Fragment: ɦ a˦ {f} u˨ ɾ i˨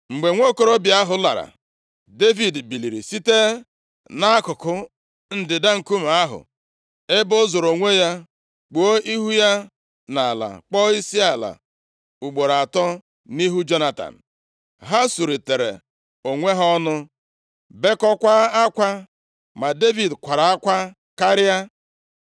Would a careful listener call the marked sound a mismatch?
yes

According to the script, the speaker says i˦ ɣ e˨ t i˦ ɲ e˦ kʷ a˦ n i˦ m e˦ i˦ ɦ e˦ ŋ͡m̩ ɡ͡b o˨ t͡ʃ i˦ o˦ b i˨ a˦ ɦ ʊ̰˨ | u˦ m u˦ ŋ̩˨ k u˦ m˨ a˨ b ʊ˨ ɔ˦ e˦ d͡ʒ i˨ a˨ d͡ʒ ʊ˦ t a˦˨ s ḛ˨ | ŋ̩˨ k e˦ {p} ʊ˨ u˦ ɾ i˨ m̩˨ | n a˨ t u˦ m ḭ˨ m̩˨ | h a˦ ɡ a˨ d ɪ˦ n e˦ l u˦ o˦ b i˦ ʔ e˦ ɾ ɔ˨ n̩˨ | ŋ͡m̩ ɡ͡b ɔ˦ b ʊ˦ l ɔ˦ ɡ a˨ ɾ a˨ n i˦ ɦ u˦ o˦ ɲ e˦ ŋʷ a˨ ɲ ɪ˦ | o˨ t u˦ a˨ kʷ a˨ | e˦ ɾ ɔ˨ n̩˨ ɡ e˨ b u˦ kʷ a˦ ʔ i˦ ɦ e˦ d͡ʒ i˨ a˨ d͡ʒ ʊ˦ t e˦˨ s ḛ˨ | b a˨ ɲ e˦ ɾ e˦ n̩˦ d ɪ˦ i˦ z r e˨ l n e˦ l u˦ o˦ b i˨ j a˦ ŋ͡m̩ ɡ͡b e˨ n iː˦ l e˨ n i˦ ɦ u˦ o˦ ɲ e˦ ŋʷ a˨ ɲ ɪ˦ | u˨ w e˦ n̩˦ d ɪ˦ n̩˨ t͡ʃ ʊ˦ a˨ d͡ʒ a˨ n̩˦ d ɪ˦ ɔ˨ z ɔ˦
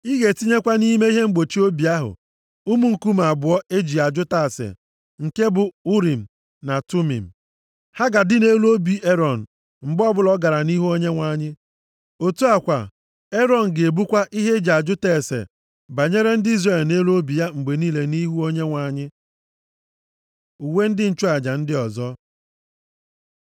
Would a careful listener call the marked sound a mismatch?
yes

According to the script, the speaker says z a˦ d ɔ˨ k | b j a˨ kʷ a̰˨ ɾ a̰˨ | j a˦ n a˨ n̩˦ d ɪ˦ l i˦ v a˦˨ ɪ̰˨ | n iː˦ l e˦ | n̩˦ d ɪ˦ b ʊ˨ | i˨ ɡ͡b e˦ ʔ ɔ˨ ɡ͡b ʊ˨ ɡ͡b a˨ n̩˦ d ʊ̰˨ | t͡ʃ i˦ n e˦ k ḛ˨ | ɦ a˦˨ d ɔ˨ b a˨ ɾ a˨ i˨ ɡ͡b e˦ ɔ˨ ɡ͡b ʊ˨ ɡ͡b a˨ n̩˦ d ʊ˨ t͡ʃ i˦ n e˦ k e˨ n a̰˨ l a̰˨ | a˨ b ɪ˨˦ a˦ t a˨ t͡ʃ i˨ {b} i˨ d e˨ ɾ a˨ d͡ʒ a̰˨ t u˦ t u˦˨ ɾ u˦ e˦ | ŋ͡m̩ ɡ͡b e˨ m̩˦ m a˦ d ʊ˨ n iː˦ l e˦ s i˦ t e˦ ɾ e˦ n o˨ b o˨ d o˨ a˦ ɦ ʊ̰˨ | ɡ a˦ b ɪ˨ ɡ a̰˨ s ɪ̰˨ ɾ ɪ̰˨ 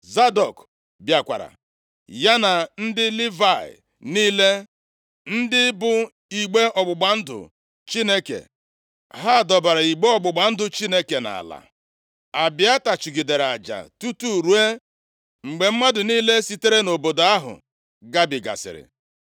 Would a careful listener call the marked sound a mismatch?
yes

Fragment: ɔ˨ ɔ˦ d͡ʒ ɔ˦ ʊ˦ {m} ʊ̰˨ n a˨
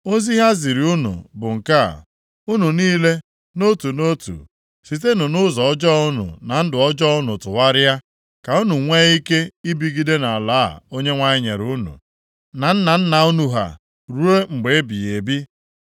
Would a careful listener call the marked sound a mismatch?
yes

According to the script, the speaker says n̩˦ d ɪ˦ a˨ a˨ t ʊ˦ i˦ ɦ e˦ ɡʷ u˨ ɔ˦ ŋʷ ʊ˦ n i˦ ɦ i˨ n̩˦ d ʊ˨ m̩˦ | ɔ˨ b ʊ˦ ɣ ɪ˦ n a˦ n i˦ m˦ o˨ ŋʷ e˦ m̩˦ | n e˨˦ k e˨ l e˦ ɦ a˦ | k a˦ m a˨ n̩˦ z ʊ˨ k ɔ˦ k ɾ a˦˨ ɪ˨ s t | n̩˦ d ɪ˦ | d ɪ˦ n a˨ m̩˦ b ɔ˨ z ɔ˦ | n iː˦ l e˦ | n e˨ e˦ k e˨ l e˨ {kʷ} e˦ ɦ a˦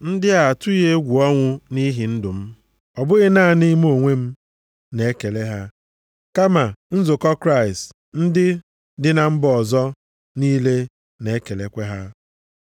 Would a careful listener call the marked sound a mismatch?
no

